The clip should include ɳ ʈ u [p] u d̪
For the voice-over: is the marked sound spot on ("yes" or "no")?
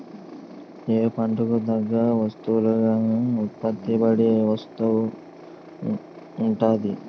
no